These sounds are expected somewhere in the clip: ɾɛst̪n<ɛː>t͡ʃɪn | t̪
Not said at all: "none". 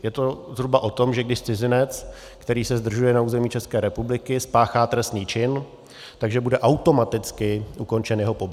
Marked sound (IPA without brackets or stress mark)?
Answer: iː